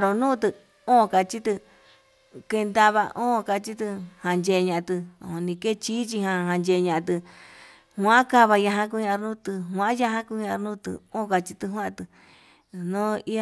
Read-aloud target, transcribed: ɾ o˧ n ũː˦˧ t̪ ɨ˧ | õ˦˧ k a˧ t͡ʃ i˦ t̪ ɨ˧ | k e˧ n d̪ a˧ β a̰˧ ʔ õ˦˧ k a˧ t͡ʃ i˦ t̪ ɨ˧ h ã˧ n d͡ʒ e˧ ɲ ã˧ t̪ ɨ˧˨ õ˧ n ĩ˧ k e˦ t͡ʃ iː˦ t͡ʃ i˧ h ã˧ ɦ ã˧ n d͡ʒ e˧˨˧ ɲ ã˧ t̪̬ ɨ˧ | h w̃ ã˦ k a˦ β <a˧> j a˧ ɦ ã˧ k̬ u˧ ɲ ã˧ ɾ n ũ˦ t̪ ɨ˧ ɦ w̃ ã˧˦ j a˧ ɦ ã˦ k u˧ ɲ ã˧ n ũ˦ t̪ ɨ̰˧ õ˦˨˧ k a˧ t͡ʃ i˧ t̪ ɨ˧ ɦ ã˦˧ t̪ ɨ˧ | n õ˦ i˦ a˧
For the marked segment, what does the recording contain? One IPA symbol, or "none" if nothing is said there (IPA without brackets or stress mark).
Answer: a˧